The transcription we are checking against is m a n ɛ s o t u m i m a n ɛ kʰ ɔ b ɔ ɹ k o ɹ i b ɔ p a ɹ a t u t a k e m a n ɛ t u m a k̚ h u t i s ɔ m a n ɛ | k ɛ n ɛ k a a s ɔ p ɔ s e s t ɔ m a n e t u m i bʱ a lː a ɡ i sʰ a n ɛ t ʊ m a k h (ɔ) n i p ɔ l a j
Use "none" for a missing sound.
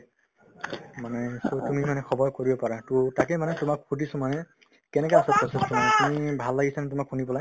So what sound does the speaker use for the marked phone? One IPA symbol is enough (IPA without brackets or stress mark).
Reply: u